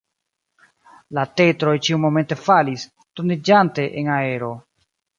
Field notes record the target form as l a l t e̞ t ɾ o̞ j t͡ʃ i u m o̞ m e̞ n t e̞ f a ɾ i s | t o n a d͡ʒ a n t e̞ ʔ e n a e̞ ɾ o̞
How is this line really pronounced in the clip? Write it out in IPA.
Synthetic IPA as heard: l a t e̞ t ɾ o̞ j t͡ʃ i u m o̞ m e̞ n t e̞ f a l i s | t o n i d͡ʒ a n t e̞ ʔ e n a e̞ ɾ o̞